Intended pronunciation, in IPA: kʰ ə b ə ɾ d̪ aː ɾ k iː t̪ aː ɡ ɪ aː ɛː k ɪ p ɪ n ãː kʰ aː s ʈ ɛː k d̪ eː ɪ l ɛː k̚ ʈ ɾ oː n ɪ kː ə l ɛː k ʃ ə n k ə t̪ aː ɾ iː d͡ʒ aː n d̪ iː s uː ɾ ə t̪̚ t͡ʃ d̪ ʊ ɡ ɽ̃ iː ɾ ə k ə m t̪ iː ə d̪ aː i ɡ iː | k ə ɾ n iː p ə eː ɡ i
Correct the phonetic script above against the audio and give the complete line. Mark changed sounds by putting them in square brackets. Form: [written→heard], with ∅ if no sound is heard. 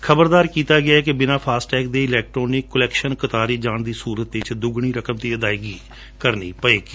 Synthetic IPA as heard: kʰ ə b ə ɾ d̪ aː ɾ k iː t̪ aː ɡ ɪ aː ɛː k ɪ [p→b] ɪ n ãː [kʰ→pʰ] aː s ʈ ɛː k d̪ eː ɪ l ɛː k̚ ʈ ɾ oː n ɪ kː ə l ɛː k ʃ ə n k ə t̪ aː ɾ iː d͡ʒ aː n d̪ iː s uː ɾ ə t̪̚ t͡ʃ d̪ ʊ ɡ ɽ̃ iː ɾ ə k ə m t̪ iː ə d̪ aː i ɡ iː | k ə ɾ n iː p ə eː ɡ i